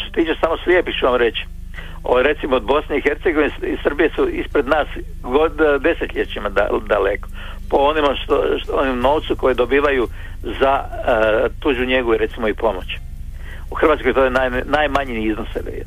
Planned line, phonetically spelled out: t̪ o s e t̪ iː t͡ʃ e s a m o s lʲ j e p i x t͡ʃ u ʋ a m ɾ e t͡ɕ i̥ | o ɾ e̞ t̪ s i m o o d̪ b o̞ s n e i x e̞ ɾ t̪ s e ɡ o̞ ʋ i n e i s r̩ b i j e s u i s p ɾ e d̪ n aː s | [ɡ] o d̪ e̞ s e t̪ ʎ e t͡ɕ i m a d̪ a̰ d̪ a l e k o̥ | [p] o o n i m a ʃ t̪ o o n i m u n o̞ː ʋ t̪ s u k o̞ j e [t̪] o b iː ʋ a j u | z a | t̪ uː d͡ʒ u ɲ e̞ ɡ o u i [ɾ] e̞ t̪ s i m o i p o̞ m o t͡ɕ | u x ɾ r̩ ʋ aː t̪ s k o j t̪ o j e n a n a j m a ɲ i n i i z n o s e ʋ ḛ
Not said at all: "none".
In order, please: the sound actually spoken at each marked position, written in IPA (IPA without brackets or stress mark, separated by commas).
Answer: ɡ, p, d̪, ɾ